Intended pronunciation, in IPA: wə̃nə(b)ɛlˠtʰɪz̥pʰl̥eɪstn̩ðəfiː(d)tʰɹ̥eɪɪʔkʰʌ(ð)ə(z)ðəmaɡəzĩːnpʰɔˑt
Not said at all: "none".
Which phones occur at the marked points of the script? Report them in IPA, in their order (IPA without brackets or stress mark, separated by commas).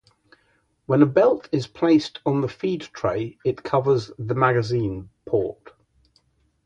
b, d, v, z